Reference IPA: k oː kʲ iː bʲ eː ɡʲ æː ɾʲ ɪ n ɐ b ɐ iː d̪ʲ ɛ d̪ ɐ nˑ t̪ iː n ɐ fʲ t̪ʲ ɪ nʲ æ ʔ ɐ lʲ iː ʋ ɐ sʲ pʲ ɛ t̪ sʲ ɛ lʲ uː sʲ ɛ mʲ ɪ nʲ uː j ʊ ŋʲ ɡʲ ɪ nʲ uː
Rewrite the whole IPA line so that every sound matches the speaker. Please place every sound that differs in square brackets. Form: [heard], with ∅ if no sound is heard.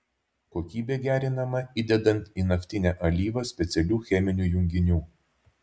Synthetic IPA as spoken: k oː kʲ iː bʲ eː ɡʲ æː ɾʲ ɪ n ɐ [m] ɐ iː d̪ʲ ɛ d̪ ɐ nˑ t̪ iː n ɐ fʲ t̪ʲ ɪ nʲ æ ʔ ɐ lʲ iː ʋ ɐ sʲ pʲ ɛ t̪ sʲ ɛ lʲ uː [xʲ] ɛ mʲ ɪ nʲ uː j ʊ ŋʲ ɡʲ ɪ nʲ uː